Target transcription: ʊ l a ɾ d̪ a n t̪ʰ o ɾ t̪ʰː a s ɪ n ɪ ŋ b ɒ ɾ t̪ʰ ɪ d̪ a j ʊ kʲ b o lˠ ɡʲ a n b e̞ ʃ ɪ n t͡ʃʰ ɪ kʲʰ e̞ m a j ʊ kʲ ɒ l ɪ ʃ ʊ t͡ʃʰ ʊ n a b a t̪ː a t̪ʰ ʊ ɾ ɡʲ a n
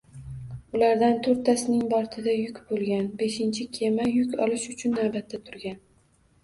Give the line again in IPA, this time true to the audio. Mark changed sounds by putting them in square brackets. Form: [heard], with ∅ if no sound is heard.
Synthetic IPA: ʊ l a ɾ d̪ a n t̪ʰ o ɾ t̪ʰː a s ɪ n ɪ ŋ b ɒ ɾ t̪ʰ ɪ d̪ a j ʊ kʲ b o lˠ ɡʲ a n b e̞ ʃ ɪ n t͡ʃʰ ɪ kʲʰ e̞ m a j ʊ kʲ ɒ l ɪ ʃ ʊ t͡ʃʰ ʊ [nː] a b a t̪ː a t̪ʰ ʊ ɾ ɡʲ a n